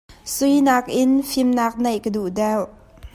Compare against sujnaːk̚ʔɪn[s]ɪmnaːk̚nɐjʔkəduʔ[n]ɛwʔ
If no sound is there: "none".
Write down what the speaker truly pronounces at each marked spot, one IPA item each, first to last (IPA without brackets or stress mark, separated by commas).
f, d